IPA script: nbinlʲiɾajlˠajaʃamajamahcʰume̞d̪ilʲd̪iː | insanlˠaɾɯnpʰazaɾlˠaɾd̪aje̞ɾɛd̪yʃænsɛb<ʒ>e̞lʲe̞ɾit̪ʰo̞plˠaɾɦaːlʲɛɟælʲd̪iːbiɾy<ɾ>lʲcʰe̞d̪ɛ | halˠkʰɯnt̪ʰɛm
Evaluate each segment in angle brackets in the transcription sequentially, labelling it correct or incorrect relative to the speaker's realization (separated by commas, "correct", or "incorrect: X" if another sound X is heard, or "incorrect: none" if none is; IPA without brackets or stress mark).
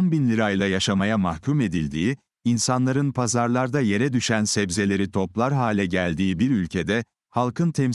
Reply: incorrect: z, incorrect: none